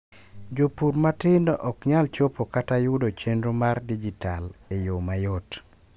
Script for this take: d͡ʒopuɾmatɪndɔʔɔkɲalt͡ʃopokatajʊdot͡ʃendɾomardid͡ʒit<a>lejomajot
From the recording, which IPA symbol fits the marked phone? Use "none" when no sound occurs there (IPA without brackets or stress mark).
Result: a